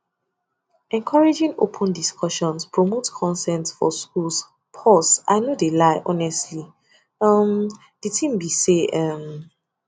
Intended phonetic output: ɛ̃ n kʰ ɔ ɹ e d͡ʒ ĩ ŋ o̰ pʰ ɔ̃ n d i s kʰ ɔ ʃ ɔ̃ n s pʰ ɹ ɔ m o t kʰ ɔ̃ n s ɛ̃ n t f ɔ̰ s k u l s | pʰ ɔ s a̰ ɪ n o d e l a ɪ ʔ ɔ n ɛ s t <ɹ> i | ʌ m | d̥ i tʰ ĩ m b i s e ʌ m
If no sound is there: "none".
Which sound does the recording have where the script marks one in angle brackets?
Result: l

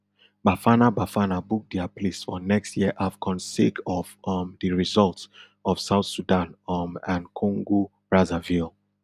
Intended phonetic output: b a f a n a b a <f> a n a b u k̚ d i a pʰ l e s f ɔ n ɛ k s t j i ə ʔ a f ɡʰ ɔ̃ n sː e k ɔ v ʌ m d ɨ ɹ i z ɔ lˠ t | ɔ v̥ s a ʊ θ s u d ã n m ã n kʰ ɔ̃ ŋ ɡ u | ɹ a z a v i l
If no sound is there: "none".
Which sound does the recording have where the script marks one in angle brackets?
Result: f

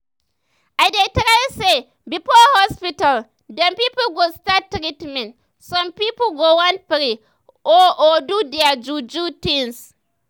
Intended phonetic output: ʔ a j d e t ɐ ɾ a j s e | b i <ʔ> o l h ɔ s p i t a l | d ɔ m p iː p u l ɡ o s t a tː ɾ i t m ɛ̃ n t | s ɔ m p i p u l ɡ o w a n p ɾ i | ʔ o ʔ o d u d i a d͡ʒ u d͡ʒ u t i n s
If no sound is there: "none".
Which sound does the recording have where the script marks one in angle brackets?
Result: p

